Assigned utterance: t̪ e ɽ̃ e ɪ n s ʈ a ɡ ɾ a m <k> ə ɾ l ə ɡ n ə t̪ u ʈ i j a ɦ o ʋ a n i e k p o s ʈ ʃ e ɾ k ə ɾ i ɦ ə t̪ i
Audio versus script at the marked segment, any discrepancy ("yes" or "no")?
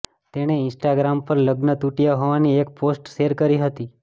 yes